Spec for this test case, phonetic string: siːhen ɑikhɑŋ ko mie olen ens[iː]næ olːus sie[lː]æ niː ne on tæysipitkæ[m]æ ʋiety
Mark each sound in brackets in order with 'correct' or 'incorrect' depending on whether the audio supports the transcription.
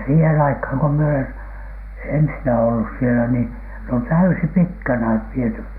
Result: incorrect, incorrect, incorrect

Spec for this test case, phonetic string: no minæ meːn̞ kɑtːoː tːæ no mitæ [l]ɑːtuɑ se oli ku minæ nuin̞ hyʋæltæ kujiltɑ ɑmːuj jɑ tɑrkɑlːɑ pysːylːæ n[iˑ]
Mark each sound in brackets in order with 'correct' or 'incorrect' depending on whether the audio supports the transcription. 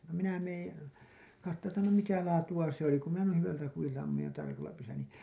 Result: correct, correct

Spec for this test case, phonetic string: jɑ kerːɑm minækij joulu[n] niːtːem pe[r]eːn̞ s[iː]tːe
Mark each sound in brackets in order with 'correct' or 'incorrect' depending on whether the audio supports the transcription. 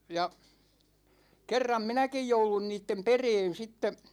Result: correct, correct, incorrect

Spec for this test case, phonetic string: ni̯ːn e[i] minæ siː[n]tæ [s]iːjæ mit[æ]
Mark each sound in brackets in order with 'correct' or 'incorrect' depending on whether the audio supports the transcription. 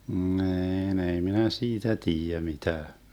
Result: correct, incorrect, incorrect, incorrect

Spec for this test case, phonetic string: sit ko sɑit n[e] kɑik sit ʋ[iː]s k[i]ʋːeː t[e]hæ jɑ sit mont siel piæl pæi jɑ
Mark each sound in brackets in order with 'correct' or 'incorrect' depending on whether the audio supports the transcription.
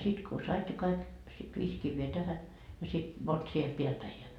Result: correct, correct, correct, incorrect

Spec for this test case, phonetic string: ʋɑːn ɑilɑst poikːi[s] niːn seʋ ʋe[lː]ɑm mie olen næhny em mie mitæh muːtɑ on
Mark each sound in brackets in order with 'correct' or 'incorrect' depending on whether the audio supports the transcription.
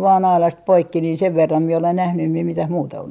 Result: incorrect, incorrect

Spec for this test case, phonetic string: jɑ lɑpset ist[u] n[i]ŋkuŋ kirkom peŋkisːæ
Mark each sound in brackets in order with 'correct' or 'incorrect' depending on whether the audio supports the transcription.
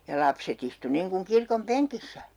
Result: correct, correct

